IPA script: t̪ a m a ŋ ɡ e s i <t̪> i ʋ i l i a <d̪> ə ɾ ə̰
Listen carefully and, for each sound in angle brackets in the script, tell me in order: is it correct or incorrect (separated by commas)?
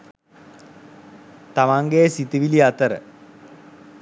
correct, incorrect